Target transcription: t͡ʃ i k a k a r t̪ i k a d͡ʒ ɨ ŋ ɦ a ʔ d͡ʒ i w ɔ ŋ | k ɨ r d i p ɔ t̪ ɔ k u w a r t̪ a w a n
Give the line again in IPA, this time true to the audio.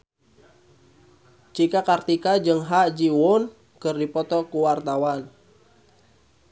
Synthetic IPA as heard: t͡ʃ i k a k a r t̪ i k a d͡ʒ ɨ ŋ ɦ a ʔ d͡ʒ i w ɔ n | k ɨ r d i p ɔ t̪ ɔ k u w a r t̪ a w a n